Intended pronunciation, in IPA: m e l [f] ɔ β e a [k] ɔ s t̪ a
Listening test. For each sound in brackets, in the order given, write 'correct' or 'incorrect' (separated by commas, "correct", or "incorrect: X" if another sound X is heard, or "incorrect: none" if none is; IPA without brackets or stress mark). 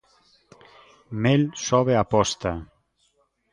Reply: incorrect: s, incorrect: p